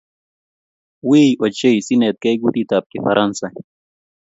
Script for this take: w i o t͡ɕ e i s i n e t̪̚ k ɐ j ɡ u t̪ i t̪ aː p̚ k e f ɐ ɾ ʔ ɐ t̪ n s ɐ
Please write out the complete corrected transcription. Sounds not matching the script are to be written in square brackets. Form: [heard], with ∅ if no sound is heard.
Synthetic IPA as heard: w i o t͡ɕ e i s i n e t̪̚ k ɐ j ɡ u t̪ i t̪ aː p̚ k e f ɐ ɾ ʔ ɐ [∅] n s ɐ